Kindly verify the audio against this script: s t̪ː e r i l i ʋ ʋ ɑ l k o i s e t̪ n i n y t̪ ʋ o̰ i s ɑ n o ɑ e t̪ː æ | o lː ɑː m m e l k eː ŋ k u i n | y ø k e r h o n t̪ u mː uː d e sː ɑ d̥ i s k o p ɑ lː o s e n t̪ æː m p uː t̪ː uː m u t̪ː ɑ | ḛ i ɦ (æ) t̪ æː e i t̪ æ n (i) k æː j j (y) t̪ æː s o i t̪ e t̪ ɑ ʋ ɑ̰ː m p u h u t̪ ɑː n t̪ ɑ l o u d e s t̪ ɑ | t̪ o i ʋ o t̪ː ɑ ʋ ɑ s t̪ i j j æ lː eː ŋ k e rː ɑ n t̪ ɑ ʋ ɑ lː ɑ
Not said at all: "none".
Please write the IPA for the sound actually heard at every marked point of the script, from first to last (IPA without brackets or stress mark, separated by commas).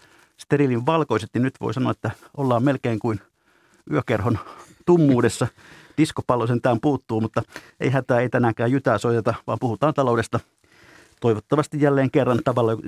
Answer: æ, æ, y